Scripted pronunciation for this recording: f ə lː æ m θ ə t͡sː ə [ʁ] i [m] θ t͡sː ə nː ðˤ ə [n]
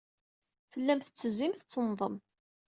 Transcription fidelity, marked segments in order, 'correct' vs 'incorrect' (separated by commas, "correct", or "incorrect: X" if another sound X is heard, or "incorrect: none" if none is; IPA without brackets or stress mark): incorrect: z, correct, incorrect: m